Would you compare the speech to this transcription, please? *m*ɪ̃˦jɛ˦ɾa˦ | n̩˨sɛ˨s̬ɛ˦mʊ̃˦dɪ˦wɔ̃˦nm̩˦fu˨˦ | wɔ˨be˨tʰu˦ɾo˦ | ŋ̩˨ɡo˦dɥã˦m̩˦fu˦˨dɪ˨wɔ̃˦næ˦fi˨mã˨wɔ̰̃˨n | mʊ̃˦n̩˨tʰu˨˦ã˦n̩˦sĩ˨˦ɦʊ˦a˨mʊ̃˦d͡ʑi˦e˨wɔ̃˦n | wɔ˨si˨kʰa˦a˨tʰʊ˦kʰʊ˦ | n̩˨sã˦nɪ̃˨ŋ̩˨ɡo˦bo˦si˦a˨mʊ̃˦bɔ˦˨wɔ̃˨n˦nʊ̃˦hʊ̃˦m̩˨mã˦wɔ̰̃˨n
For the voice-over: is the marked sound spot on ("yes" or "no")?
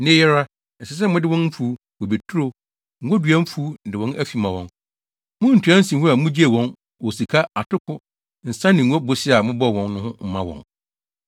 no